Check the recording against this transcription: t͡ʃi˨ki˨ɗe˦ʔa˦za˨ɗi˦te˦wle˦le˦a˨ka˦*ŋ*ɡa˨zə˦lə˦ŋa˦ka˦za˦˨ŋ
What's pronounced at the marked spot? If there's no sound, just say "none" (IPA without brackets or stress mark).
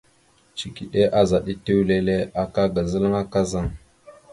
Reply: none